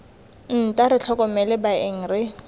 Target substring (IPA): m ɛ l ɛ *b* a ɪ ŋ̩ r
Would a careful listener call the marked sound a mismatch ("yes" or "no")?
no